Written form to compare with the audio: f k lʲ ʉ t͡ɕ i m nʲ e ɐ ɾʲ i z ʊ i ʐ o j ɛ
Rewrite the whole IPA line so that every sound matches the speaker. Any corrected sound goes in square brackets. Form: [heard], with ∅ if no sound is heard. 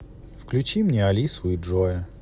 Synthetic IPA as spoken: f k lʲ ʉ t͡ɕ i m nʲ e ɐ [lʲ] i [s] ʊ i ʐ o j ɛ